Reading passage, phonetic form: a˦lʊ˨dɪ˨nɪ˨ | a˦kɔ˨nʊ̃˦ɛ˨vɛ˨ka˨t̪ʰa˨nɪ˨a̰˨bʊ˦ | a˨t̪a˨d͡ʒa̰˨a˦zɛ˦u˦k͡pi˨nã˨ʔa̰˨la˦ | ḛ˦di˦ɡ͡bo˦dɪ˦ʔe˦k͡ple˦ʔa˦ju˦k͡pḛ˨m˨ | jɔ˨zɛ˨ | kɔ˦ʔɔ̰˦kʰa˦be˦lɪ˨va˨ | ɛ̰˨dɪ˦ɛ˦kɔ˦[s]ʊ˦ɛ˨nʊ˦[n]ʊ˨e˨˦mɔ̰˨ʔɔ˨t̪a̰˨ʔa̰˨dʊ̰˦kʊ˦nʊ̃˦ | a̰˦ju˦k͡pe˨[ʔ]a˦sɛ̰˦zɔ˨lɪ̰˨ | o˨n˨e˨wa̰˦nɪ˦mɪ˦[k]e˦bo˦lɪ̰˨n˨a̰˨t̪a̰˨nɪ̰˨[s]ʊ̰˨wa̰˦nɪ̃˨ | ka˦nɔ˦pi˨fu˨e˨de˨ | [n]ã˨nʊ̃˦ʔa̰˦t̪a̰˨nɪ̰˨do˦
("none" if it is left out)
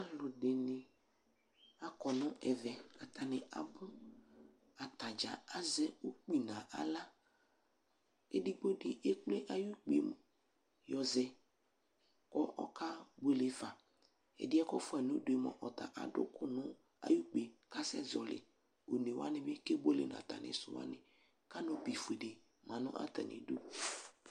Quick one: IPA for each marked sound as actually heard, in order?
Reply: f, d, k, k, s, m

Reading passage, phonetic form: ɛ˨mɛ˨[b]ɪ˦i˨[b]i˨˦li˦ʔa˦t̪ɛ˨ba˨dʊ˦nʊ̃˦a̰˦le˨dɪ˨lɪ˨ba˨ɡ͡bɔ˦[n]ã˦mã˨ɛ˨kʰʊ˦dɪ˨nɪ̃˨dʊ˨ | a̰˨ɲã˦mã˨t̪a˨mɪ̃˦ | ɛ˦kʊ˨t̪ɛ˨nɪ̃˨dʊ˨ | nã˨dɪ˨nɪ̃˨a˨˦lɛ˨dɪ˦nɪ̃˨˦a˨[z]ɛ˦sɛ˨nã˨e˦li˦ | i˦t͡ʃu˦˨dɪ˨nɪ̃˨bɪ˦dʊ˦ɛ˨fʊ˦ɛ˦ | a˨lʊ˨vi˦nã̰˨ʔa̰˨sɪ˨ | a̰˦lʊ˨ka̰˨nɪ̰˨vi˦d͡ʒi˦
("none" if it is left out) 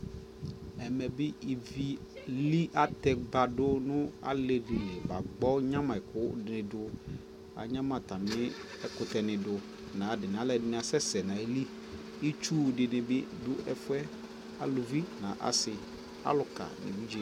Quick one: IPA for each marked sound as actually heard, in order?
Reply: b, v, ɲ, s

